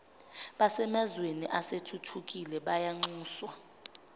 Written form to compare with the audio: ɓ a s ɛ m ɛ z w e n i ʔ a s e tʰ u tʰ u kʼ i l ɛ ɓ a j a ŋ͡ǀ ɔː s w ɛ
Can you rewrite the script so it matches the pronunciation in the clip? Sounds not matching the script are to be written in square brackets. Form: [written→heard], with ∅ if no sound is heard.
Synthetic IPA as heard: ɓ a s ɛ m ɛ z w e n i ʔ a s e tʰ u tʰ u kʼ i l ɛ ɓ a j a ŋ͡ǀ [ɔː→uː] s w [ɛ→a]

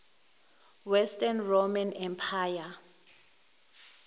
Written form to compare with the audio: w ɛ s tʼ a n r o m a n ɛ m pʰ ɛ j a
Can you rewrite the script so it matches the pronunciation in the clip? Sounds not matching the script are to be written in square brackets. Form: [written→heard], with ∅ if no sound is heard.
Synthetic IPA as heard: w ɛ s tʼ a n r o m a n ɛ m pʰ [ɛ→a] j a

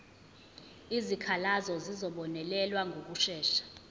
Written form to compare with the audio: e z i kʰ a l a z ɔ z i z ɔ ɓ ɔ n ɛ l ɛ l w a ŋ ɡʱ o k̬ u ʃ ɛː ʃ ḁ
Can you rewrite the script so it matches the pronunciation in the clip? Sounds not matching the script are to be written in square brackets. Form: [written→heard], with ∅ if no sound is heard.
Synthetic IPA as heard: [e→i] z i kʰ a l a z ɔ z i z ɔ ɓ ɔ n ɛ l ɛ l w a ŋ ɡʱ o k̬ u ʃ ɛː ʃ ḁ

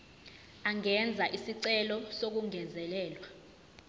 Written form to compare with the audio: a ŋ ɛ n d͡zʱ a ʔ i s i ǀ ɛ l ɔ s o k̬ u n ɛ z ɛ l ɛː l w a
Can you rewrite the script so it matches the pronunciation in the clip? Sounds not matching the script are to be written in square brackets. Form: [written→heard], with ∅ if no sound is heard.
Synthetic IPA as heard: a ŋ ɛ n d͡zʱ a ʔ i s i ǀ ɛ l ɔ s o k̬ u [n→ŋ] ɛ z ɛ l ɛː l w a

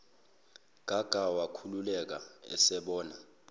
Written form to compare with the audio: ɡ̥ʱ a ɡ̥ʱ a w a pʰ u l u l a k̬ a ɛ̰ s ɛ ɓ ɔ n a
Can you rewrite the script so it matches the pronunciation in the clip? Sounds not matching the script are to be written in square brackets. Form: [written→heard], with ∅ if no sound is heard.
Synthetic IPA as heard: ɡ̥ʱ a ɡ̥ʱ a w a [pʰ→kʰ] u l u l [a→ɛ] k̬ a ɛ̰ s ɛ ɓ [ɔ→ɔː] n a

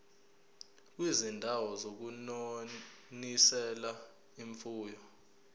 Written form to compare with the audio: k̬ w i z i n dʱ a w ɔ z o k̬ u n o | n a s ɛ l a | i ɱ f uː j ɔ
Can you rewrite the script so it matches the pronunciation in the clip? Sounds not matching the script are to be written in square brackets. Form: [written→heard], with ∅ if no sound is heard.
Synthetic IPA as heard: k̬ w i z i n dʱ a w ɔ z o k̬ u n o | n [a→i] s ɛ l a | i ɱ f uː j ɔ

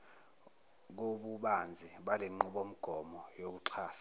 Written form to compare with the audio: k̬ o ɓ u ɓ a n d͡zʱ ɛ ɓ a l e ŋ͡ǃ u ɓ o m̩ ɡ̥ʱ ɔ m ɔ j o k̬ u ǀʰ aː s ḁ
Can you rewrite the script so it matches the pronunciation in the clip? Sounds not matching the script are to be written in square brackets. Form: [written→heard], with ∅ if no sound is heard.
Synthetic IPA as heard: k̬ o ɓ u ɓ a n d͡zʱ [ɛ→i] ɓ a l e ŋ͡ǃ u ɓ o m̩ ɡ̥ʱ ɔ m ɔ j o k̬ u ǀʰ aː s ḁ

